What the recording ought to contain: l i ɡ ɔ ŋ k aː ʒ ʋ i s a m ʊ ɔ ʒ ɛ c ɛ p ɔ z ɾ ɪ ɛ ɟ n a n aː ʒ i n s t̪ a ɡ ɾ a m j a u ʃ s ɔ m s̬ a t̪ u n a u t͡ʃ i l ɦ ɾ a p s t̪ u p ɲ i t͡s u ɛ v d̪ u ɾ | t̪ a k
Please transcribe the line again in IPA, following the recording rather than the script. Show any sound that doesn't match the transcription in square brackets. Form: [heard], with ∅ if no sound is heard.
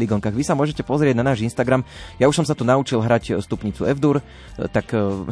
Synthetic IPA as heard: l i ɡ ɔ ŋ k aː [ɣ] ʋ i s a m ʊ ɔ ʒ ɛ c ɛ p ɔ z ɾ ɪ ɛ ɟ n a n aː ʒ i n s t̪ a ɡ ɾ a m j a u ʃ s ɔ m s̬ a t̪ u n a u t͡ʃ i l ɦ ɾ a [c] s t̪ u p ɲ i t͡s u ɛ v d̪ u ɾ | t̪ a k